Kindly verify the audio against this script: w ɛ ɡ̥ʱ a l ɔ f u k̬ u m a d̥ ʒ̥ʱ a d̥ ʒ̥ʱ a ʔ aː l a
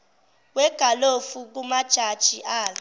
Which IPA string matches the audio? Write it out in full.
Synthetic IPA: w ɛ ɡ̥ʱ a l o f u k̬ u m a d̥ ʒ̥ʱ a d̥ ʒ̥ʱ i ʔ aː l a

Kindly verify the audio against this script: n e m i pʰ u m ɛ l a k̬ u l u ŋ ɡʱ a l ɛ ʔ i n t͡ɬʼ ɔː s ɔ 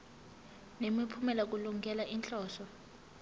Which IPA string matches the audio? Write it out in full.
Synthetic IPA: n e m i pʰ u m ɛ l a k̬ u l u ŋ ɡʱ ɛ l a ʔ i n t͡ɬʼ ɔː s ɔ

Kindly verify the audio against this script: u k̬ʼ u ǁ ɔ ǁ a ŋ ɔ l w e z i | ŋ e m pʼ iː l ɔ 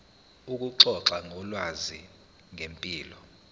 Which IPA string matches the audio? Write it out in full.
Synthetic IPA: u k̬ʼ u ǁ ɔ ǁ a ŋ ɔ l w a z i | ŋ e m pʼ iː l ɔ

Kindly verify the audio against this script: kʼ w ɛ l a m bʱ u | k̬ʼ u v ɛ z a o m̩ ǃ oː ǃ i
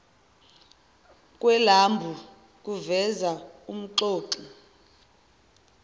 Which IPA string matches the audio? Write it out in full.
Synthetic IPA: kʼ w ɛ l a m bʱ u | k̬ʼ u v ɛ z a u m̩ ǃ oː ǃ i

